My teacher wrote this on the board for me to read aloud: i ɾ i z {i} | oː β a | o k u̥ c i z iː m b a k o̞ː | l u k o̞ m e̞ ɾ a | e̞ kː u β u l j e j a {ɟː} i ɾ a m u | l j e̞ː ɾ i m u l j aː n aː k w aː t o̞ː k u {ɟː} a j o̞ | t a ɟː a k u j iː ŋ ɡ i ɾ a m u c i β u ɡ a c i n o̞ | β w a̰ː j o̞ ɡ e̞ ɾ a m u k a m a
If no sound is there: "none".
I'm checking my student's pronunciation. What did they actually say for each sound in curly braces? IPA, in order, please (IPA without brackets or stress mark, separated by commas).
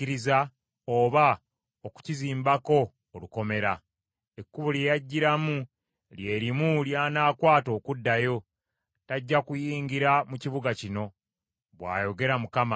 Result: a, ɟː, dː